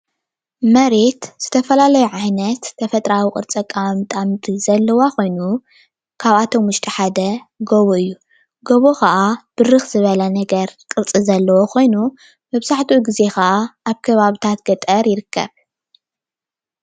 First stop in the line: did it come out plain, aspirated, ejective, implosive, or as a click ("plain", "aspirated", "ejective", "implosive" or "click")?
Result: plain